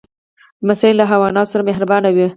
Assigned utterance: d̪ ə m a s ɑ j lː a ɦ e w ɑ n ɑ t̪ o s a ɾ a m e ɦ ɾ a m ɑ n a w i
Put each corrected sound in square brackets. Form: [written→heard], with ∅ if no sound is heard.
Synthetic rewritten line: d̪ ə m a s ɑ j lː a ɦ [e→a] w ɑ n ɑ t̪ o s a ɾ a m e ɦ ɾ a [m→b] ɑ n a w i